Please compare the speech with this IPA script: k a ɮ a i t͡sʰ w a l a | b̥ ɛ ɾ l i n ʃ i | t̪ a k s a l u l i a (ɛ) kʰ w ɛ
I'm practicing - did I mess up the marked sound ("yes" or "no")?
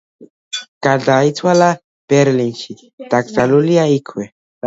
yes